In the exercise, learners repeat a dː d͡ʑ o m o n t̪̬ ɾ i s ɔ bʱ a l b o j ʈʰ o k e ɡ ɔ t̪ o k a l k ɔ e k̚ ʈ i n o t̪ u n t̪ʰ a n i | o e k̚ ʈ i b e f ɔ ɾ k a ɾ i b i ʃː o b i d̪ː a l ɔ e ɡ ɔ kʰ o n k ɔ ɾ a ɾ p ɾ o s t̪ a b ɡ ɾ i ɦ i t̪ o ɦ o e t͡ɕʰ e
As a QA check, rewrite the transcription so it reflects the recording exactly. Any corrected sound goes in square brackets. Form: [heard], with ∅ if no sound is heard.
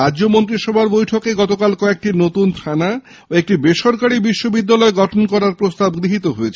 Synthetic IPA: a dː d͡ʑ o m o n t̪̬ ɾ i [ʃ] ɔ bʱ a [ɾ] b o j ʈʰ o k e ɡ ɔ t̪ o k a l k ɔ e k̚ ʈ i n o t̪ u n t̪ʰ a n [a] | o e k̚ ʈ i b e [ʃ] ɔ ɾ k a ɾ i b i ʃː o b i d̪ː a l ɔ e ɡ ɔ [ʈʰ] o n k ɔ ɾ a ɾ p ɾ o s t̪ a b ɡ ɾ i ɦ i t̪ o ɦ o e t͡ɕʰ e